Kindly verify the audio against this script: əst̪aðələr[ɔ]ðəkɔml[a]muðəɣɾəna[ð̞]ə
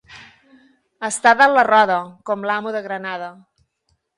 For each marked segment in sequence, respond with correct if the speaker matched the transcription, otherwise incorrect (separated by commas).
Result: correct, correct, correct